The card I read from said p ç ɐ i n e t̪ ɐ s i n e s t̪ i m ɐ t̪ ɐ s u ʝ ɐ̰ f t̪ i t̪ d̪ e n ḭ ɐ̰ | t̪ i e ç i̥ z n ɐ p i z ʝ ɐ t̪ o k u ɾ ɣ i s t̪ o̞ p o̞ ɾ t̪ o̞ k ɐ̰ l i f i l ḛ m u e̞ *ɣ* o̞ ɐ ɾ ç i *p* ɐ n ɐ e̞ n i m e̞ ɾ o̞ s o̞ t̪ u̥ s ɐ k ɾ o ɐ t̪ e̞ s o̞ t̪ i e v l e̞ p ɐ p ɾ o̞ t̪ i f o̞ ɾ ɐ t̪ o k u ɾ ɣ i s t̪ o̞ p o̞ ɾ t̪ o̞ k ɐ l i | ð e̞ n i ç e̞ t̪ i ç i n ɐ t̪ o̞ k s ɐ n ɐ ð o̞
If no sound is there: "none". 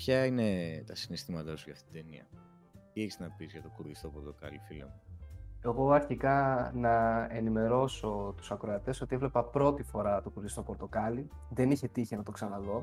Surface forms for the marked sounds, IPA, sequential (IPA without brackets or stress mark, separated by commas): ɣ, k